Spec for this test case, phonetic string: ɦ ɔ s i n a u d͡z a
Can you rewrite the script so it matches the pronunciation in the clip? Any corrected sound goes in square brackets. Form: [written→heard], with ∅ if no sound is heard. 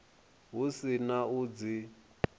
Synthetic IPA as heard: ɦ [ɔ→u] s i n a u d͡z [a→i]